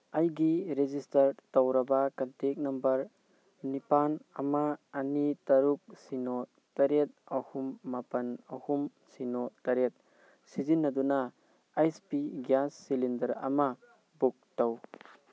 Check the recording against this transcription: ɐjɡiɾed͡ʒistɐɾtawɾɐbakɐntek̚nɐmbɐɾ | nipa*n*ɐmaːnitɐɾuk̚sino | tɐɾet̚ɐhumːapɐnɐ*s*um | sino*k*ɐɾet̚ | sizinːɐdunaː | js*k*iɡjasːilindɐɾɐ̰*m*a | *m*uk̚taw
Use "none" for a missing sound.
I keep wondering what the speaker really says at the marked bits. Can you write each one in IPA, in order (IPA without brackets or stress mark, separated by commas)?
n, h, t, p, m, b